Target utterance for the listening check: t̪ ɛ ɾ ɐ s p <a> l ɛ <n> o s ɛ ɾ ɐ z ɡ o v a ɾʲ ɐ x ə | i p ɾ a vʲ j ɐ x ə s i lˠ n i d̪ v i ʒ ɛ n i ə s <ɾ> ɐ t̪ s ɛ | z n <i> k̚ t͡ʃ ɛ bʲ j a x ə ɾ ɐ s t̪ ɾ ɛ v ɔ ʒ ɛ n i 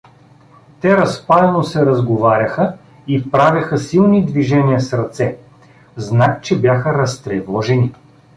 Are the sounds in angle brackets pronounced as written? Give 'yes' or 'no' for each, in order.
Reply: yes, yes, yes, no

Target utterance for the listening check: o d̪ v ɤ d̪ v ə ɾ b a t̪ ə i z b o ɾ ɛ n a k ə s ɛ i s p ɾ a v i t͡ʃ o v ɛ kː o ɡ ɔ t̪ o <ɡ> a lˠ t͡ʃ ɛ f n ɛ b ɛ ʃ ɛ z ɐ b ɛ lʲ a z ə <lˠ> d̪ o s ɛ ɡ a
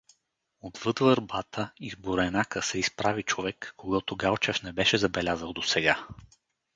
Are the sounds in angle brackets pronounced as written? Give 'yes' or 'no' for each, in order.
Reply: yes, yes

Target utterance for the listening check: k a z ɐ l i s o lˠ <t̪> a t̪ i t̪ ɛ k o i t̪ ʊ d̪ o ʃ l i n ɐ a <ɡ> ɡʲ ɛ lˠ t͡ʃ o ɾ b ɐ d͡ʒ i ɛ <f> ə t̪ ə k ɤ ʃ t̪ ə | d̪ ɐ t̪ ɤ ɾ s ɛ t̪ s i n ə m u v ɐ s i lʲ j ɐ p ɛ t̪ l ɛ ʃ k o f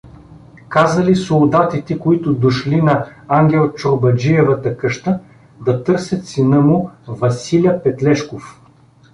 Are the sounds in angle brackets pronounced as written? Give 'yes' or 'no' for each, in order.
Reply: no, no, no

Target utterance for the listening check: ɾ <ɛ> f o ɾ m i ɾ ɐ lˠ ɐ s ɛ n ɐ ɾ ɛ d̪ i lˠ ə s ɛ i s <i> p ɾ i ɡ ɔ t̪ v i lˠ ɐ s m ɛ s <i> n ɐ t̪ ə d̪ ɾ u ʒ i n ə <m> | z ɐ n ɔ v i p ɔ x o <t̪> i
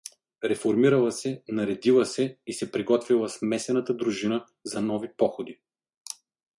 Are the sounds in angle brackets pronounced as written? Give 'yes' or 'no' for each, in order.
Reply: yes, no, no, no, no

